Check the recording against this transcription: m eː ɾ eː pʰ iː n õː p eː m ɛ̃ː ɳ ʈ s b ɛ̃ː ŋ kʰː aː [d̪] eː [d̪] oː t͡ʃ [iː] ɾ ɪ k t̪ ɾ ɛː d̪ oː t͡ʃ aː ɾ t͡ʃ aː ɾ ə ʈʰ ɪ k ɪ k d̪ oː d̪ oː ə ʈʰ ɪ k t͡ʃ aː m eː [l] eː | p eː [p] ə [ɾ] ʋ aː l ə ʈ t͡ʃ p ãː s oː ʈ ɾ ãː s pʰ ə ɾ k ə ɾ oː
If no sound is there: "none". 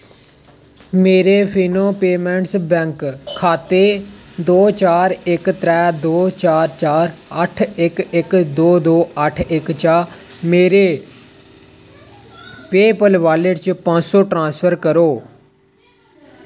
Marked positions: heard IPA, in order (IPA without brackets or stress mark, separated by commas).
t̪, d̪, aː, ɾ, p, l